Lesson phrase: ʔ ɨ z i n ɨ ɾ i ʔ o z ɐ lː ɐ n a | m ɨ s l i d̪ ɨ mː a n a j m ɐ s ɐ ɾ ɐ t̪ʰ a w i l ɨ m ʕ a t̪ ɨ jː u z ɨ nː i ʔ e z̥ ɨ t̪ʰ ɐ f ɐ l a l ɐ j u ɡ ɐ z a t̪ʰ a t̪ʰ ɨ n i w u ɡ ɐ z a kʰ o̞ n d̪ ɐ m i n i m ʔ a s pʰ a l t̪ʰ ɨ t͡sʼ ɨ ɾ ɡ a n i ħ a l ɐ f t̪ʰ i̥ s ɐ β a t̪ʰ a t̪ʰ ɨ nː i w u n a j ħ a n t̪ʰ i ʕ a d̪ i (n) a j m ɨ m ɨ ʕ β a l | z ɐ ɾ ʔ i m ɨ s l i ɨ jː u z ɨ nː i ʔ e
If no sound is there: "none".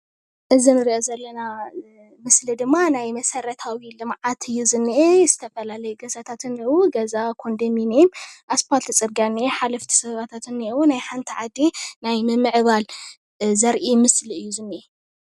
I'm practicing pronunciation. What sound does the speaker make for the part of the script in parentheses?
n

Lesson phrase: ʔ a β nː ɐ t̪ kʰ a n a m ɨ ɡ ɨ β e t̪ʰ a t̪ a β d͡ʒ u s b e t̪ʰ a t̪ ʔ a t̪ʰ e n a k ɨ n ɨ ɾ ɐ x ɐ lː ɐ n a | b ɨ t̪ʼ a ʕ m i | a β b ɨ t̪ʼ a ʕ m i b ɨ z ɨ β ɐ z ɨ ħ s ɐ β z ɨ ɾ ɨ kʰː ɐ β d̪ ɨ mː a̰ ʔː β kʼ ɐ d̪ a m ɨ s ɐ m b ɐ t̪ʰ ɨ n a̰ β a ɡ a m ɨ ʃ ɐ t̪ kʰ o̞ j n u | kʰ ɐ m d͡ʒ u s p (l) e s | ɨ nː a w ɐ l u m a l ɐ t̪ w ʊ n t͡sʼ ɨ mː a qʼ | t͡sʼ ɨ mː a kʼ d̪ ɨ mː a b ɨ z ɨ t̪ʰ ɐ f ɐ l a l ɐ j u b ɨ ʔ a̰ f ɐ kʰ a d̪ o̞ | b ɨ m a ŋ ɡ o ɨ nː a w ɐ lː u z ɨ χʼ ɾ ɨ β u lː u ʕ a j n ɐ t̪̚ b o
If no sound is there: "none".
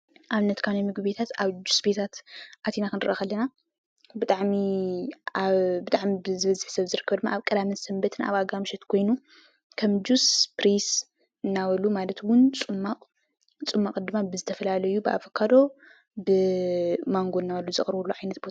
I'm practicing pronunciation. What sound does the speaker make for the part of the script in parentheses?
ɾ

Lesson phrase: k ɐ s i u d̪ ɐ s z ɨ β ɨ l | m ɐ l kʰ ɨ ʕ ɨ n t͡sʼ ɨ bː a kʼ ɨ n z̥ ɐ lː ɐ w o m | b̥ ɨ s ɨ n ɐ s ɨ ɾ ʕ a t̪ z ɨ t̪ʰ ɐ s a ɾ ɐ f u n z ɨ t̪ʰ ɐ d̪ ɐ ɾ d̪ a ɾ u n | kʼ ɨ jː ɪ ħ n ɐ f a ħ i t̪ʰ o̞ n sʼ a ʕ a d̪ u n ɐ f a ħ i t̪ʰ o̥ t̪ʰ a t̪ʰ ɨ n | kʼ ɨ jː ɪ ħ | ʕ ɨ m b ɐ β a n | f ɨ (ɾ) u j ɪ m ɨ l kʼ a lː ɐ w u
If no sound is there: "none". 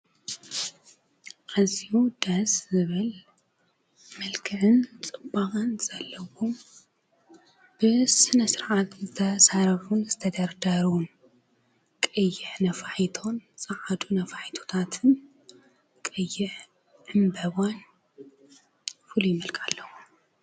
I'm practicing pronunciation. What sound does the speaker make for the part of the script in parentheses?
l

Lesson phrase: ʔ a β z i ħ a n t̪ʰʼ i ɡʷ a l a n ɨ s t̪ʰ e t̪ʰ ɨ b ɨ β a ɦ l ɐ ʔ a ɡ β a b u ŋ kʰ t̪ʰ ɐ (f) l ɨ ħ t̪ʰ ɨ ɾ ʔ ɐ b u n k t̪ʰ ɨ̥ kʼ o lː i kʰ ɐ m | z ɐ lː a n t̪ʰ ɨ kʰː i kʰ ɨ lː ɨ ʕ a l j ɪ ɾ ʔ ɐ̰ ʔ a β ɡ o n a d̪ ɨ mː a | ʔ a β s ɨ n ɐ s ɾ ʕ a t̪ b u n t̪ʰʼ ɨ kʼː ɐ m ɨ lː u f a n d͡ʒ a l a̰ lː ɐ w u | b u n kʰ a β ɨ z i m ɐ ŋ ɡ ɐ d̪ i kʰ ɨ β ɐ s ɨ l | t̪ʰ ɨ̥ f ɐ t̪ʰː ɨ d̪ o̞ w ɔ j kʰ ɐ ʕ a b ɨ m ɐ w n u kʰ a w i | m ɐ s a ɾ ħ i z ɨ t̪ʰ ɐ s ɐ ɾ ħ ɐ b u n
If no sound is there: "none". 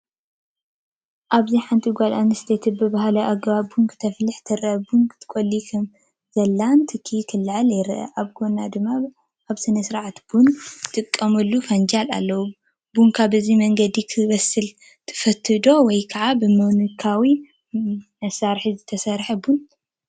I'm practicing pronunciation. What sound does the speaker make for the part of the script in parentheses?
f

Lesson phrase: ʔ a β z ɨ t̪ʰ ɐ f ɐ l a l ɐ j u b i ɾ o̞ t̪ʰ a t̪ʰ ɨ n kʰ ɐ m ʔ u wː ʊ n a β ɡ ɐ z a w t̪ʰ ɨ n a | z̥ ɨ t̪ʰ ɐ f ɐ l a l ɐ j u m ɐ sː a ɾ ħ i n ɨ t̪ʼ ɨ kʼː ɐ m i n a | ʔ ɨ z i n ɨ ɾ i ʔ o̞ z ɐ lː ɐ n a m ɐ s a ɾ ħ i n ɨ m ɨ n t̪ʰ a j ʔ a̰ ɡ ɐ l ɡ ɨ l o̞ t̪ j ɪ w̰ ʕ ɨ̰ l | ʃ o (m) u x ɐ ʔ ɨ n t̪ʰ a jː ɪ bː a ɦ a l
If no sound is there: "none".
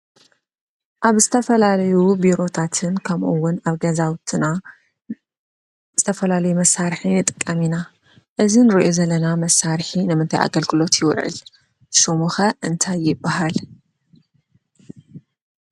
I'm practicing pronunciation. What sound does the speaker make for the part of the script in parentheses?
m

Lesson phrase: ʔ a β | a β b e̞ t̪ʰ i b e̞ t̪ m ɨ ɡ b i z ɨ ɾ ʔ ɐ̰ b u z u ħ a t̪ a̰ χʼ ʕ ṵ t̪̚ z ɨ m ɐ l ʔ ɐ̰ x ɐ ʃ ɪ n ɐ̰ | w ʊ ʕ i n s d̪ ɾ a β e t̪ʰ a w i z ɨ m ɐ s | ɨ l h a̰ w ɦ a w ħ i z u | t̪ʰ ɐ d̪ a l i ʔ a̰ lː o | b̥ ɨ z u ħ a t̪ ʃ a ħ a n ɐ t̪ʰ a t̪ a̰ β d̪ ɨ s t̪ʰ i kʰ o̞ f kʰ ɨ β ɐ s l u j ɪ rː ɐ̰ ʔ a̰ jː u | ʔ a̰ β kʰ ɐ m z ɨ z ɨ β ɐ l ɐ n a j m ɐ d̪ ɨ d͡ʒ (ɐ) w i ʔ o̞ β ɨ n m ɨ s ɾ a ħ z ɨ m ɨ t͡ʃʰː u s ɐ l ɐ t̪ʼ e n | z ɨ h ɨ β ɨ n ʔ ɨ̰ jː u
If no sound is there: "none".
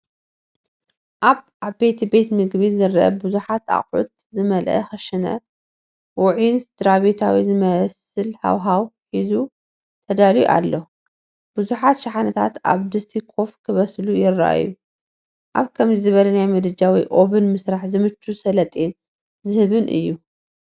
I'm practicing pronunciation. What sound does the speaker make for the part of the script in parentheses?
a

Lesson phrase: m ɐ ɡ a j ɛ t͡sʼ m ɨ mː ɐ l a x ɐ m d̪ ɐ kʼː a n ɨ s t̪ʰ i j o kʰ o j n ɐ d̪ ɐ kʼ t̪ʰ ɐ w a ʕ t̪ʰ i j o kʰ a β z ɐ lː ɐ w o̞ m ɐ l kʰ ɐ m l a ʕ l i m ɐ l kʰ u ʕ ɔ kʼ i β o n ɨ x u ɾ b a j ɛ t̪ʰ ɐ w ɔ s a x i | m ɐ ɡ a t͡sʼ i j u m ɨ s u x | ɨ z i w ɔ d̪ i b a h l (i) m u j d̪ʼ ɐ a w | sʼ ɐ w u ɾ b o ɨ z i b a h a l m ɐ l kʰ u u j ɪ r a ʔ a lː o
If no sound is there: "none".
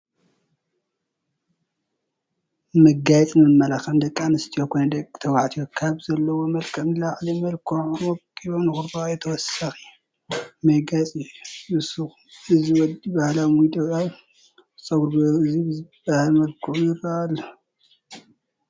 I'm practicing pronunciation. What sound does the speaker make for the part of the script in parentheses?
a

